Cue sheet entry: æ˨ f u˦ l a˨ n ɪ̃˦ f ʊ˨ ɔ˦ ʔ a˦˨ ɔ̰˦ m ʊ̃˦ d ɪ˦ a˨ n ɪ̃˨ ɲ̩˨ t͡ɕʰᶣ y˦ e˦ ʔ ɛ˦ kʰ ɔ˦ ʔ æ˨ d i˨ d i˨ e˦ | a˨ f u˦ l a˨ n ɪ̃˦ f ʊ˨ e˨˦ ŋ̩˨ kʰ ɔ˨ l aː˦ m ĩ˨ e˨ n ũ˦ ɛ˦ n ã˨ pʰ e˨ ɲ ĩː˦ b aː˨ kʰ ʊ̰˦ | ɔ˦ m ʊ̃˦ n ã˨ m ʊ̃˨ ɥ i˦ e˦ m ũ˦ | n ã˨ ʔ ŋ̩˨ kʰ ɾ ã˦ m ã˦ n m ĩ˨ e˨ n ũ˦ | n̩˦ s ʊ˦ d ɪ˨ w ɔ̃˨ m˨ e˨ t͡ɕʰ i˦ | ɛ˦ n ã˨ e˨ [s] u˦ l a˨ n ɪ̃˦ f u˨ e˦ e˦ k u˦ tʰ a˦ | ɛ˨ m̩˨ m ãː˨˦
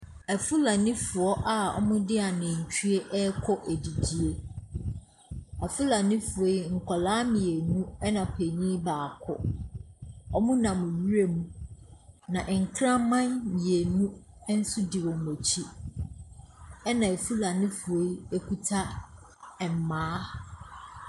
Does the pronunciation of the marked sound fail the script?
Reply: yes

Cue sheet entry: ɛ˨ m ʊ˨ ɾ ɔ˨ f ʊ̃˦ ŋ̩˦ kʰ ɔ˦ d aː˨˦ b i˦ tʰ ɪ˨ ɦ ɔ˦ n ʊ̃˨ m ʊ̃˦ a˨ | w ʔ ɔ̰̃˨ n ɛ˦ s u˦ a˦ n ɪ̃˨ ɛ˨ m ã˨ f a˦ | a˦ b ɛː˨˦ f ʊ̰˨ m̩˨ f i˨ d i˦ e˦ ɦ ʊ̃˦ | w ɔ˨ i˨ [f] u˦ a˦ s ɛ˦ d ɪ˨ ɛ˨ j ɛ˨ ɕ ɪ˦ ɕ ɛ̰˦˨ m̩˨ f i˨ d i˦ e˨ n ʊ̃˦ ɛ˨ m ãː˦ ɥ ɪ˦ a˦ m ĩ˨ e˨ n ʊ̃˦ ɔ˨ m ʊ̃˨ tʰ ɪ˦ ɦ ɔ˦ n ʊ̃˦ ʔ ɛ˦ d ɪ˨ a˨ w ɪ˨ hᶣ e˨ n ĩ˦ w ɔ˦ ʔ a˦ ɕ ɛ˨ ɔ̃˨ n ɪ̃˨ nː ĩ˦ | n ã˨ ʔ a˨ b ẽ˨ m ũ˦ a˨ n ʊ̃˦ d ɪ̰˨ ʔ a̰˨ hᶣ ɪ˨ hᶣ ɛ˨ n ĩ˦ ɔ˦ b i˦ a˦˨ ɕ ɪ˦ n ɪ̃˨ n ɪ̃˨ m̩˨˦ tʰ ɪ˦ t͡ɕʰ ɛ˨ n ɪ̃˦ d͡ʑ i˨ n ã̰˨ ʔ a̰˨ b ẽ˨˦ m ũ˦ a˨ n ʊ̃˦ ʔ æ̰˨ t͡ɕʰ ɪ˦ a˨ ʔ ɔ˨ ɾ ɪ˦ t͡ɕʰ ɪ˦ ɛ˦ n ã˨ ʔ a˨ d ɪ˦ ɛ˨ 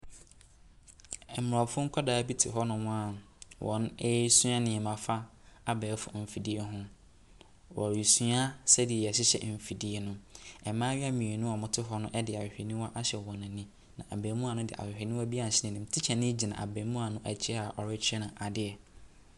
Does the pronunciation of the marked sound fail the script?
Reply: yes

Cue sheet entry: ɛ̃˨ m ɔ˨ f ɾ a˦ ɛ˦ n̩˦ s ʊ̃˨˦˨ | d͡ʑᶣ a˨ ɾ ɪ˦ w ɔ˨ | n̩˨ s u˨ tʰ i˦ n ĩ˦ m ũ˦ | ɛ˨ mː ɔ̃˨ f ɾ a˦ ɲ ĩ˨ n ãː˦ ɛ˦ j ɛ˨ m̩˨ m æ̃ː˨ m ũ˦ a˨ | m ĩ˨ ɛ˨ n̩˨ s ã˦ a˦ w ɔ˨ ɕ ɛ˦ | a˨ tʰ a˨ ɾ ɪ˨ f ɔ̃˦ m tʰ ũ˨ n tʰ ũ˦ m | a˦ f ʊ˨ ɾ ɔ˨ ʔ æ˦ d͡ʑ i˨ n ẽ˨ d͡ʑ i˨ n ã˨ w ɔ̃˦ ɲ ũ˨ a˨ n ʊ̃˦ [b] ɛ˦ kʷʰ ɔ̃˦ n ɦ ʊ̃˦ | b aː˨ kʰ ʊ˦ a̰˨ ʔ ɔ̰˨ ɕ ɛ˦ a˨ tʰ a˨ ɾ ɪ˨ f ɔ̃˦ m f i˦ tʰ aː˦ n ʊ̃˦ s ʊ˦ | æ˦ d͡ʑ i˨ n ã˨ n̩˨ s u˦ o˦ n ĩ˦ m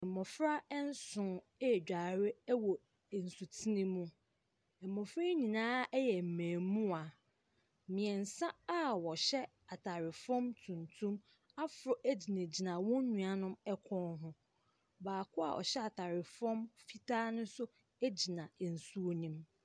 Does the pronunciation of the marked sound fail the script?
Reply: yes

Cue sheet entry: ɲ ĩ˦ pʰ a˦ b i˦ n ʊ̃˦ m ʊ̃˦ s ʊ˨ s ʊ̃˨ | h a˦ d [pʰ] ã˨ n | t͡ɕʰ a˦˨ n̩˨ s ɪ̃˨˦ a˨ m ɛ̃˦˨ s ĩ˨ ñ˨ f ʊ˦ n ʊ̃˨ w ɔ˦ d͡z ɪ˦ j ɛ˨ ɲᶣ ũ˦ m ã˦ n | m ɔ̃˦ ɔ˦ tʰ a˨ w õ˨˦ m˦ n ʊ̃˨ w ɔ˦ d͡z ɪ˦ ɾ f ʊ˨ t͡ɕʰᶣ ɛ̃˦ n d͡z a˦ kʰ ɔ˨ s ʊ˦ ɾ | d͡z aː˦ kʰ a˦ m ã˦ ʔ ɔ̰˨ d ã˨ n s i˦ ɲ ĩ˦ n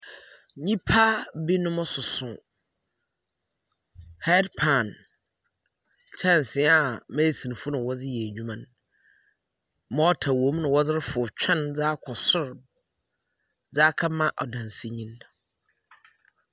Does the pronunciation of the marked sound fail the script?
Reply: no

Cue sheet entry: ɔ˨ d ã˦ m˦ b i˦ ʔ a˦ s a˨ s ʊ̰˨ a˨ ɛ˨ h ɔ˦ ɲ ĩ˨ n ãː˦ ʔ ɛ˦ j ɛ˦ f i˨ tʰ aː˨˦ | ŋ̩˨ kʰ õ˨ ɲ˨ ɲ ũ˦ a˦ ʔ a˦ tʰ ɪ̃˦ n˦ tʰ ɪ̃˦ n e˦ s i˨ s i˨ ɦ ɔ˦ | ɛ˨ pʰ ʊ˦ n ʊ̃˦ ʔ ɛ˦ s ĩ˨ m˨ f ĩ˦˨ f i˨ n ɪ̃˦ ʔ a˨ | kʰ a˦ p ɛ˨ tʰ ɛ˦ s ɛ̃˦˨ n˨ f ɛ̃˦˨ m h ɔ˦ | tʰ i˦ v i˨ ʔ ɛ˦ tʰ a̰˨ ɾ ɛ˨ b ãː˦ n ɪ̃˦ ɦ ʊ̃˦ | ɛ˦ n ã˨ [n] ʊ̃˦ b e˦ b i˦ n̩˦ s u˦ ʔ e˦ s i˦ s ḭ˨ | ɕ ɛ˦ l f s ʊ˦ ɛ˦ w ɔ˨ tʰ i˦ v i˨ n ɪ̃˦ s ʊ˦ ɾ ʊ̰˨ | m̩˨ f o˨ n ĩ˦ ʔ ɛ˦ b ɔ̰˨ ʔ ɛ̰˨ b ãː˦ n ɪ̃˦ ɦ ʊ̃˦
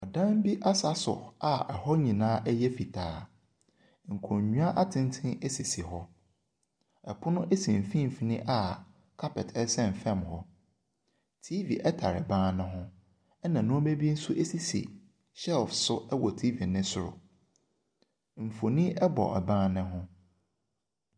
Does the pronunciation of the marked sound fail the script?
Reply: no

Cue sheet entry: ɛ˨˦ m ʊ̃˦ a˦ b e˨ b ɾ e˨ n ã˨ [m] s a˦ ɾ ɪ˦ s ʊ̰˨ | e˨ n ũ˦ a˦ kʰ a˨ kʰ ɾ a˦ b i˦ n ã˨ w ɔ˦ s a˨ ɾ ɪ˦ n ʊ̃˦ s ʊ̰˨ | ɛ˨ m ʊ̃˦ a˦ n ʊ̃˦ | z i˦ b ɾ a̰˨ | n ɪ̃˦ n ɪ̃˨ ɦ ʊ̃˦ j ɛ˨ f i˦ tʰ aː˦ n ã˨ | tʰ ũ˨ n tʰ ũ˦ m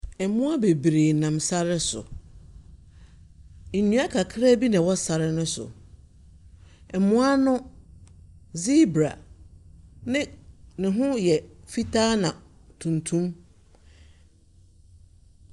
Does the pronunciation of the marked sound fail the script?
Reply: no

